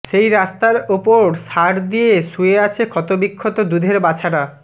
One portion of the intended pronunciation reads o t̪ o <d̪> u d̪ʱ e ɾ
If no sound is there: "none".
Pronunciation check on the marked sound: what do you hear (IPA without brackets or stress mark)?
d̪